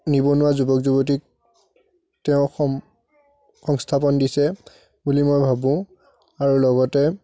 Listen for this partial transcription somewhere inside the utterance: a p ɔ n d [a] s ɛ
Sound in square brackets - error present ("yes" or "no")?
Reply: yes